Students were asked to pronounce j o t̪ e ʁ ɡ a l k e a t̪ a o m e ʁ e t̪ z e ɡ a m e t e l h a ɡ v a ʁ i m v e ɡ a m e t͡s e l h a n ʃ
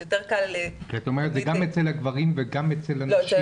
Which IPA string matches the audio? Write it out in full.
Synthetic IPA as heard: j o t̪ e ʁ k a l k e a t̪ a o m e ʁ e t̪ z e ɡ a m e t͡s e l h a ɡ v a ʁ i m v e ɡ a m e t͡s e l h a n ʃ